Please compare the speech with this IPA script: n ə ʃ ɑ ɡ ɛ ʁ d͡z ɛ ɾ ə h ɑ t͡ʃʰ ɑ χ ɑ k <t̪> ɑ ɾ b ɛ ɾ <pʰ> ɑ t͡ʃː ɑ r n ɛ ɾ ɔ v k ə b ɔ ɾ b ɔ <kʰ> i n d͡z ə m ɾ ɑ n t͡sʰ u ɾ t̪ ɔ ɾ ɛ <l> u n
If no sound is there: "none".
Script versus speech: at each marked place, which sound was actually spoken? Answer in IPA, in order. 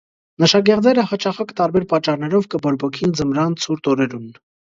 t̪, p, kʰ, ɾ

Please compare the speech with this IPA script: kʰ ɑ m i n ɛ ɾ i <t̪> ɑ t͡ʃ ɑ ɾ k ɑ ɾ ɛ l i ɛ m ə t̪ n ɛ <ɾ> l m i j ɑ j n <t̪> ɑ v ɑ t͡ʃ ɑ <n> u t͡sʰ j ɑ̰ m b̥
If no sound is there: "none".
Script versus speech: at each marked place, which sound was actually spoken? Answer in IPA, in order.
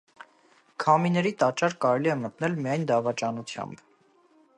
t̪, none, d̪, n

